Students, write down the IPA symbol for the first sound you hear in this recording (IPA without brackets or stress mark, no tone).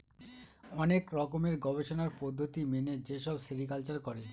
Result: ɔ